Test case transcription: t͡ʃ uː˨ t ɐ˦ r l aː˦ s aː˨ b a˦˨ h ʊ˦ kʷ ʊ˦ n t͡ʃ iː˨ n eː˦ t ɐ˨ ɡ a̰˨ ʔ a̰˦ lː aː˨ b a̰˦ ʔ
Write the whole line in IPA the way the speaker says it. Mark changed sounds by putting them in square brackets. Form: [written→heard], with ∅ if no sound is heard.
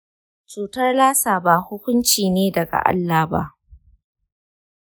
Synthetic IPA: t͡ʃ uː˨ t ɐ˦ r l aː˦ s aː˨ b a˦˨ h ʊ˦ kʷ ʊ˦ n t͡ʃ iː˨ n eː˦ [t→d] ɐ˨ ɡ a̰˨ ʔ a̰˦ lː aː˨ b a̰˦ ʔ